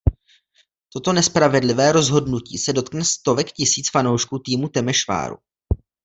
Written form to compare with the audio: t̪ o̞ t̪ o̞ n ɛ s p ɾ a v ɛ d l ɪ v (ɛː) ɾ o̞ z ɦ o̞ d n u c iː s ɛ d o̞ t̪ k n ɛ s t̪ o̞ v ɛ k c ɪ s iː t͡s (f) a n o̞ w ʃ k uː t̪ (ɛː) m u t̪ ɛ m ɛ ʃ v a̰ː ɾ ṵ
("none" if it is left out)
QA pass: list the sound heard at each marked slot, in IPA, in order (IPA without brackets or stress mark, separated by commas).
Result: ɛː, f, iː